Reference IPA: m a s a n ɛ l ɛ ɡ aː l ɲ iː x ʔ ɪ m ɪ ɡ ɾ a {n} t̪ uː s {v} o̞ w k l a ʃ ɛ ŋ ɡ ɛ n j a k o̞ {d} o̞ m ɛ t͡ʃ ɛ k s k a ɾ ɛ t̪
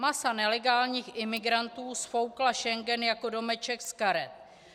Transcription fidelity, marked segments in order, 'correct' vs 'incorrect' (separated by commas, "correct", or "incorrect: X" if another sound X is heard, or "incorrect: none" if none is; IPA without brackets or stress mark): correct, incorrect: f, correct